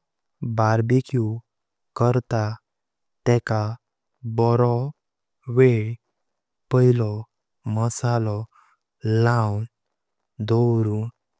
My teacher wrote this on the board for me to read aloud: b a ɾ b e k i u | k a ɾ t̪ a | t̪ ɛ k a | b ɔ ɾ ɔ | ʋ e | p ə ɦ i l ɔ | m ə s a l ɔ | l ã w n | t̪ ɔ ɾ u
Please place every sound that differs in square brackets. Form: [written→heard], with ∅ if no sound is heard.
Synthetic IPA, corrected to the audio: b a ɾ b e k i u | k [a→ə] ɾ t̪ a | t̪ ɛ k a | b ɔ ɾ ɔ | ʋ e | p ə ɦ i l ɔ | m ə s a l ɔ | l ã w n | [t̪→d̪] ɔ ɾ u

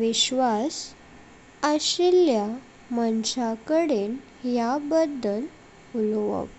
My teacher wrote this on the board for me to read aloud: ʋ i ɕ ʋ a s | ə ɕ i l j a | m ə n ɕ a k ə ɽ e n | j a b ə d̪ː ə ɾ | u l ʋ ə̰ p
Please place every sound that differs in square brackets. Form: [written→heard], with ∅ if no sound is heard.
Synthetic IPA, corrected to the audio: ʋ i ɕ ʋ a s | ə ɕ i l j a | m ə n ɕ a k ə ɽ e n | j a b ə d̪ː ə [ɾ→l] | u l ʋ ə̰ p

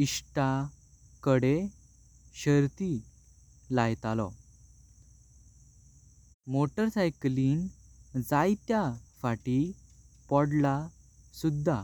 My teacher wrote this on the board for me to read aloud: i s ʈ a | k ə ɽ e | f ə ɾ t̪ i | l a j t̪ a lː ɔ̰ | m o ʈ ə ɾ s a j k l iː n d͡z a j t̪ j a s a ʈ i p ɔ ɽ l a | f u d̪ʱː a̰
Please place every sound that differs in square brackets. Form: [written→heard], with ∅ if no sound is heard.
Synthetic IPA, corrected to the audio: i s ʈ a | k ə ɽ e | [f→ɕ] ə ɾ t̪ i | l a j t̪ a [lː→l] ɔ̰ | m o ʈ ə ɾ s a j k l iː n d͡z a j t̪ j a [s→f] a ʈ i p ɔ ɽ l a | [f→s] u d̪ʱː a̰

